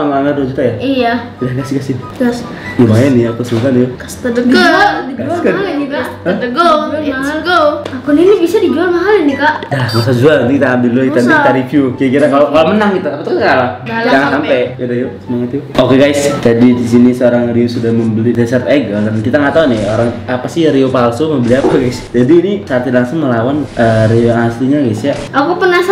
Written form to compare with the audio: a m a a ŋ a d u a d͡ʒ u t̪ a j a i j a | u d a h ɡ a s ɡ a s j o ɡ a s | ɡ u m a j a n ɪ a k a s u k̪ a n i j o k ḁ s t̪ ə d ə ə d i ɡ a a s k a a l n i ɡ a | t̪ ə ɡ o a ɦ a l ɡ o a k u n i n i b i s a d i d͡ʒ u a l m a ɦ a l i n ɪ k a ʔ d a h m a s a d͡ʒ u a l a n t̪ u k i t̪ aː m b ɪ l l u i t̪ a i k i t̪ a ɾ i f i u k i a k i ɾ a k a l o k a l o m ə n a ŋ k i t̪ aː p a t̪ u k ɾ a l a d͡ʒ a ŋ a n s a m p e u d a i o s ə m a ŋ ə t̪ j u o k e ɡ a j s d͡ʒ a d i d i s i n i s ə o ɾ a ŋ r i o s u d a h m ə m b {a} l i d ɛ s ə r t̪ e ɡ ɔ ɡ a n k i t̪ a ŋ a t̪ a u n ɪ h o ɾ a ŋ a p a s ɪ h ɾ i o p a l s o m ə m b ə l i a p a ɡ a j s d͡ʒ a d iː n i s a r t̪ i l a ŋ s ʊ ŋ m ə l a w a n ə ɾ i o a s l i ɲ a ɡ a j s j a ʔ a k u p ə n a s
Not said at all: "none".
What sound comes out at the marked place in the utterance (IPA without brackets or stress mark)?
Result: ə